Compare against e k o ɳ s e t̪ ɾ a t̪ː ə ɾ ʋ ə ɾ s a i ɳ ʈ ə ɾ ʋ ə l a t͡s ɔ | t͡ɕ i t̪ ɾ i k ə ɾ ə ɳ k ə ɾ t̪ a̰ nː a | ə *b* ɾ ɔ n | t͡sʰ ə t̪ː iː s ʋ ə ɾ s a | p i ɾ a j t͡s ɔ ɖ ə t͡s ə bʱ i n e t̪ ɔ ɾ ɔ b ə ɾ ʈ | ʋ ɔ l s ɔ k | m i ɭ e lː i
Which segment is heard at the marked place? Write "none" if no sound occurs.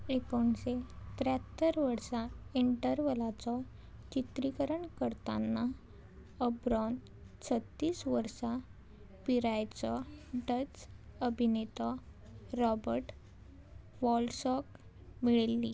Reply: b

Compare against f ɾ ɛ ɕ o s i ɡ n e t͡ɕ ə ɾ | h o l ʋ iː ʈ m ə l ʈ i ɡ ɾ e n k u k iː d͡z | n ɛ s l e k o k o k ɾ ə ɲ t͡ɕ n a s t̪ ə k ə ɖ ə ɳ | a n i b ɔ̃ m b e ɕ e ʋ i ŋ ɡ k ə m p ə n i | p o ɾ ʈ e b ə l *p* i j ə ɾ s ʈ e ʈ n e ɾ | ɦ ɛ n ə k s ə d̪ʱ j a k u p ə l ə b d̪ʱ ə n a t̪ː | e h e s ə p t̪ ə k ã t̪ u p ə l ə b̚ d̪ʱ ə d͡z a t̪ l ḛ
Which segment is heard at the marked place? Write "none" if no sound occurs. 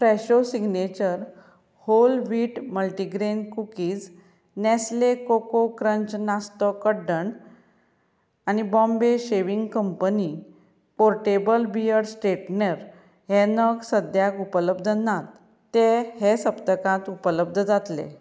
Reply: b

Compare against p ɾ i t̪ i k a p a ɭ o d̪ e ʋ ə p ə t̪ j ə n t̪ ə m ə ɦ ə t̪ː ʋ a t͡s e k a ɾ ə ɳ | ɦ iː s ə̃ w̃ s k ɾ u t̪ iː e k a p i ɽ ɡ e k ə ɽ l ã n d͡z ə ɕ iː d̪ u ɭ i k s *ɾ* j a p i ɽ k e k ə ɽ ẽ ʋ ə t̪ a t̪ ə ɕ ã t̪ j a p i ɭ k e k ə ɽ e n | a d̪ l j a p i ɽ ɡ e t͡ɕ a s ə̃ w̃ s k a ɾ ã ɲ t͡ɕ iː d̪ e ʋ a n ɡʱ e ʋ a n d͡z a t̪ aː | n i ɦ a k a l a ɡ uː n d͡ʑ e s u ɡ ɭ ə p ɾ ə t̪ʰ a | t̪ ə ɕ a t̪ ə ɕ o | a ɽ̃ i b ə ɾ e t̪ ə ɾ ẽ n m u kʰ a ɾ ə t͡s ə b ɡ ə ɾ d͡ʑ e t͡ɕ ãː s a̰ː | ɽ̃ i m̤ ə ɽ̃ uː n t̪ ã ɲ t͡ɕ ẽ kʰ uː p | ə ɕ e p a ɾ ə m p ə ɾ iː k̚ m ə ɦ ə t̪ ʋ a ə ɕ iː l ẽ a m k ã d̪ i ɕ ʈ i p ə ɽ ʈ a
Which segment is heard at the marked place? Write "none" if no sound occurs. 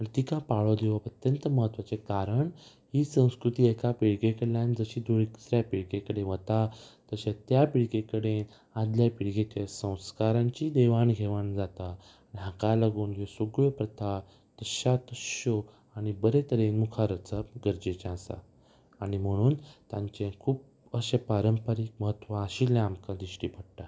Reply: ɾ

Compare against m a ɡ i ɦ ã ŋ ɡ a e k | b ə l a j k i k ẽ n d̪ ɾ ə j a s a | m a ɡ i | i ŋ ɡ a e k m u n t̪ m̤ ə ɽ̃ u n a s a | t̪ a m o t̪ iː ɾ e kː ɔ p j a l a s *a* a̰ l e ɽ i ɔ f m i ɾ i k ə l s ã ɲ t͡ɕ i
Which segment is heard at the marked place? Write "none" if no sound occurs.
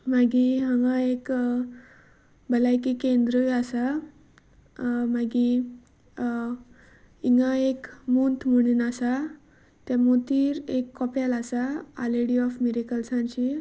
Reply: a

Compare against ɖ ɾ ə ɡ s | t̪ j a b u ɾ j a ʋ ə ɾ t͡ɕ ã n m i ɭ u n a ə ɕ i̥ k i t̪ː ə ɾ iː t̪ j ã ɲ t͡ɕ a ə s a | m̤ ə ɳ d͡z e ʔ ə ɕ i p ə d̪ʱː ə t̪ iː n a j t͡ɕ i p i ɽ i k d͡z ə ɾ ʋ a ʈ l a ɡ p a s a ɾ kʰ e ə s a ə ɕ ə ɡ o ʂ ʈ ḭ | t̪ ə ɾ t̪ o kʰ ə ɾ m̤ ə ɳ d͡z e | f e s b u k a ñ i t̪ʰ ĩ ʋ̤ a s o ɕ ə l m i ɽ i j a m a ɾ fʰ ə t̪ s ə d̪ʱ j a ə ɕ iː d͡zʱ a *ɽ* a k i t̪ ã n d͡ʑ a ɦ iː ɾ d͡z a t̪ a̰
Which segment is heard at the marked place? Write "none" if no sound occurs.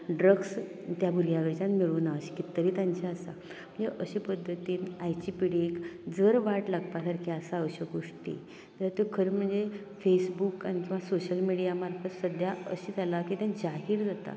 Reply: l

